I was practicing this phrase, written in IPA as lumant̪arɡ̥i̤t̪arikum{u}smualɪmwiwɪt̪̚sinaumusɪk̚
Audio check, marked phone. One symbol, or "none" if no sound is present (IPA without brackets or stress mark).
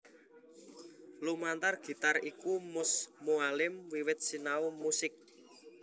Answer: ʊ